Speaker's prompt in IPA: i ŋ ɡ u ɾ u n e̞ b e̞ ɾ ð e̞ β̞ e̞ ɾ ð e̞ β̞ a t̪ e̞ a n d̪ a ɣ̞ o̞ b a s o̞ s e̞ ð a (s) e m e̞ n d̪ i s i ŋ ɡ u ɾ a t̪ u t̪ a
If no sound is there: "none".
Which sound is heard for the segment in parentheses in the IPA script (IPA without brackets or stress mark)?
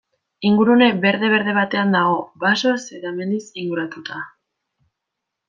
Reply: none